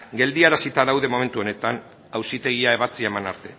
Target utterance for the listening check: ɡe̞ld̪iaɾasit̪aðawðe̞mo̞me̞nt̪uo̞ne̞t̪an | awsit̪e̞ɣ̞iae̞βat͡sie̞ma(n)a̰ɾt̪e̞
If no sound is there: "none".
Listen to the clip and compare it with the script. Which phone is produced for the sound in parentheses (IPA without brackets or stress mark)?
n